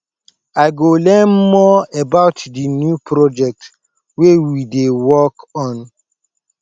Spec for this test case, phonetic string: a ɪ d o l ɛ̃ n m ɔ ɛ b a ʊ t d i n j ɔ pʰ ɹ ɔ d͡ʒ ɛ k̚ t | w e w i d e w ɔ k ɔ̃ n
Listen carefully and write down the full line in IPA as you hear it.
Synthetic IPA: a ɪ ɡ o l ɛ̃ n m ɔ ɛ b a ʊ t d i n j u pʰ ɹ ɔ d͡ʒ ɛ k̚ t | w e w i d e w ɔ k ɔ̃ n